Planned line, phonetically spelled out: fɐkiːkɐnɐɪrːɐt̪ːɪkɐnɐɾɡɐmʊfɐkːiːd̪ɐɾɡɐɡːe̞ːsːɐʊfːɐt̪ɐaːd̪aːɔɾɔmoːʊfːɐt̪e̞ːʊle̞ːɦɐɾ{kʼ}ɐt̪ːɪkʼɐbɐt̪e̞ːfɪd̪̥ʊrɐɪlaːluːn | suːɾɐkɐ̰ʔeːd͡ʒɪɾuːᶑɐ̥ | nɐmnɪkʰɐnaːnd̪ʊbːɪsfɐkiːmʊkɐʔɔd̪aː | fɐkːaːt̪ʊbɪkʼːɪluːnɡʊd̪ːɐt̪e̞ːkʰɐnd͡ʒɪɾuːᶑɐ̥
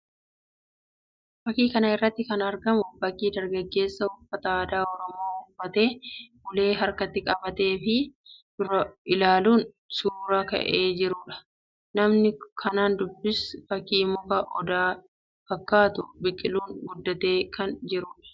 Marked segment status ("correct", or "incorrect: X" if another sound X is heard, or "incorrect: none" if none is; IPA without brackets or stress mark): incorrect: k